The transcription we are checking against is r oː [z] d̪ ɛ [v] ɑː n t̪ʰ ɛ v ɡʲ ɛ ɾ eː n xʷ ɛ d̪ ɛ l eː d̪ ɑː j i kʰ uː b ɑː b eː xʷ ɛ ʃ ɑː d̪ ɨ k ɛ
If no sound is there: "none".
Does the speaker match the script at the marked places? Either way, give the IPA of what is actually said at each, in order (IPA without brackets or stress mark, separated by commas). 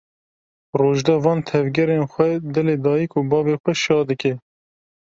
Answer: ʒ, v